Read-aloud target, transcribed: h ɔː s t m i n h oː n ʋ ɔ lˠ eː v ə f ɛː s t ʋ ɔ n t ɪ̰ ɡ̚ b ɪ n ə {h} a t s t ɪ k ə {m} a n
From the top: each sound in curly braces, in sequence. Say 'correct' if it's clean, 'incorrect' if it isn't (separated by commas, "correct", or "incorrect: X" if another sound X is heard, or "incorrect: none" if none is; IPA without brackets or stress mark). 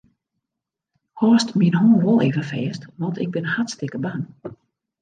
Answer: correct, incorrect: b